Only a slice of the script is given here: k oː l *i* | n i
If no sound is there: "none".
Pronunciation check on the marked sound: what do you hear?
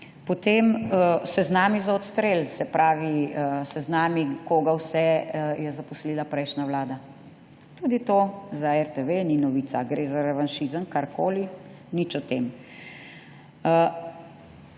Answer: i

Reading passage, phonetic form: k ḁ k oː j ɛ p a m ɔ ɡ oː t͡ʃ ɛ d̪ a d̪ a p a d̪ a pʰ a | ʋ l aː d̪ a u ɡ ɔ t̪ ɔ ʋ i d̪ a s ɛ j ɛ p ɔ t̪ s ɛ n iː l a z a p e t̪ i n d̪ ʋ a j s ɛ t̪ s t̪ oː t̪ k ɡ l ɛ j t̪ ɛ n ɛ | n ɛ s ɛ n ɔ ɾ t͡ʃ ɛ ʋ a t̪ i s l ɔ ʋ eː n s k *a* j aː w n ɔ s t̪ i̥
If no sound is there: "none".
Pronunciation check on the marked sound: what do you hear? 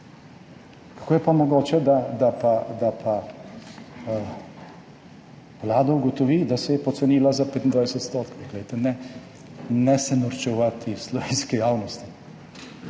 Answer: i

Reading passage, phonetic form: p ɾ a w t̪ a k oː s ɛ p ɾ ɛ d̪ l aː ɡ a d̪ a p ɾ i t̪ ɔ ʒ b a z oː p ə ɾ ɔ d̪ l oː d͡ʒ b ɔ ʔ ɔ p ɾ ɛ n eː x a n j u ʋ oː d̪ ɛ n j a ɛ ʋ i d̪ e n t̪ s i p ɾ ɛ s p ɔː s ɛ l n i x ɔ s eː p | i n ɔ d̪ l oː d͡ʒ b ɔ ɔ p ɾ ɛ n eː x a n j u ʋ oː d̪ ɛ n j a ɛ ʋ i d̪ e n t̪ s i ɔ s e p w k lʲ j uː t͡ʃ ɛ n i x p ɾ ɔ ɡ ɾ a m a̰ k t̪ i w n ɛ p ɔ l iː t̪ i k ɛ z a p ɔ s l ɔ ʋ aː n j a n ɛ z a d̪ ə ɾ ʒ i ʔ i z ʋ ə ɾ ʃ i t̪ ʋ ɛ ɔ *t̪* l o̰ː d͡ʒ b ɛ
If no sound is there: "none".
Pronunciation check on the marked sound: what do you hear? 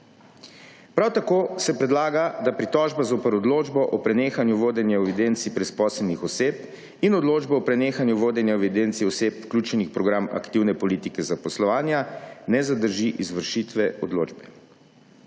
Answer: d̪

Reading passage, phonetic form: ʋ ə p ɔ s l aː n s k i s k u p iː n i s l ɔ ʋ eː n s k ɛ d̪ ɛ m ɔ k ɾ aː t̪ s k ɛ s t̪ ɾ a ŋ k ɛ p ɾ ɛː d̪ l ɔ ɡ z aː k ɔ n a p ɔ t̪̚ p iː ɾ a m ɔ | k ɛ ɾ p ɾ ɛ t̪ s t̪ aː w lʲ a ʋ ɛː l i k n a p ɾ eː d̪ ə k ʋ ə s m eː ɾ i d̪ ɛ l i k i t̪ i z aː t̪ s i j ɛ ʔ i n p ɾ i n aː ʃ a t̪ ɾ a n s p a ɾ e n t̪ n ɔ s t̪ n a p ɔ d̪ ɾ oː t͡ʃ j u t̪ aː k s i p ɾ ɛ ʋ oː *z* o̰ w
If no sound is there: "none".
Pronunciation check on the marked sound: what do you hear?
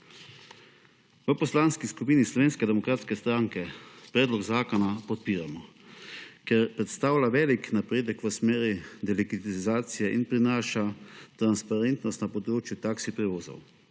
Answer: z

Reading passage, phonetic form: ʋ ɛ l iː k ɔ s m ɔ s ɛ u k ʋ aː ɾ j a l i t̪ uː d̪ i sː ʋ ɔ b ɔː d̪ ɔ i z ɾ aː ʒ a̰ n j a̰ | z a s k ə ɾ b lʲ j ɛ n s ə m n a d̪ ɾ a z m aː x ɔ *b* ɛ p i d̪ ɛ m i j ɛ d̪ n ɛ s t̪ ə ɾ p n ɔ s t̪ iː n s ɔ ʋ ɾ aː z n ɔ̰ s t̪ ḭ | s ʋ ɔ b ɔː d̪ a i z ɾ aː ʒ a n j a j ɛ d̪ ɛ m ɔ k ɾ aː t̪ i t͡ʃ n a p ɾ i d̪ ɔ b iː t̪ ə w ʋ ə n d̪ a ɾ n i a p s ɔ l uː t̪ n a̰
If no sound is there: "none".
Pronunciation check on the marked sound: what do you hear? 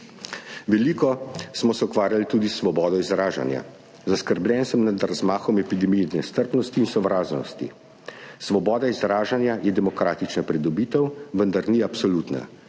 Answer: m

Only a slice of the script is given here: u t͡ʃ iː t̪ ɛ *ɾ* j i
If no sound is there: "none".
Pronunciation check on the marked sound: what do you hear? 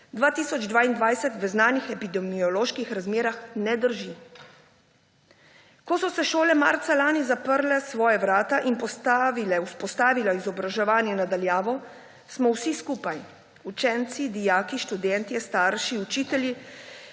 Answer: l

